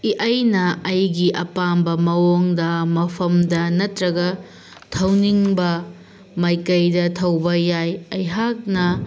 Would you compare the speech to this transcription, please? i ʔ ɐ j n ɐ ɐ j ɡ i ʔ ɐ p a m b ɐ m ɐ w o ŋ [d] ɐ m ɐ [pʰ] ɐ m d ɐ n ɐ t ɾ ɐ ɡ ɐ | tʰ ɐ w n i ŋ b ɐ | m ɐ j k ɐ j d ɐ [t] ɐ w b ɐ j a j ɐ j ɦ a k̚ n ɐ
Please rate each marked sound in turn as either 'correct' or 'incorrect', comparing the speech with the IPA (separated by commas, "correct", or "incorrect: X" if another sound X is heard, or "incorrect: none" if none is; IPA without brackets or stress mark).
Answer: correct, correct, incorrect: tʰ